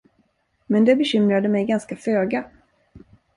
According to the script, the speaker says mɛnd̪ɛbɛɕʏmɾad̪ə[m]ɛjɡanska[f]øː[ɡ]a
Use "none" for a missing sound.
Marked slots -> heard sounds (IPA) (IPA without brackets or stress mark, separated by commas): m, f, ɡ